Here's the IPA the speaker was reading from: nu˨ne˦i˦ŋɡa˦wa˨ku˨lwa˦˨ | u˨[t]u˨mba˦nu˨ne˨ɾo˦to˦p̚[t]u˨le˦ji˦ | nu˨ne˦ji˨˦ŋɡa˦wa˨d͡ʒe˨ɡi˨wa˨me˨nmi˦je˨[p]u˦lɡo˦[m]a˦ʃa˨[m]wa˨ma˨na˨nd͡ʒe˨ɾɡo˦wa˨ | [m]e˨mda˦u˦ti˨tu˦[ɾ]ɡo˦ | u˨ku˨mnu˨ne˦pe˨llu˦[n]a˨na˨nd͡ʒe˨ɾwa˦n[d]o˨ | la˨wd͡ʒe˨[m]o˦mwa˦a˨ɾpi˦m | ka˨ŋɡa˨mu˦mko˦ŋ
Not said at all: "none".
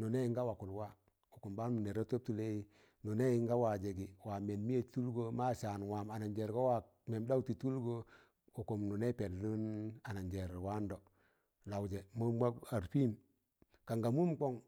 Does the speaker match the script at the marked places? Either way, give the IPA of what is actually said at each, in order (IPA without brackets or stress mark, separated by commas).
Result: k, t, t, m, n, m, l, n, d, m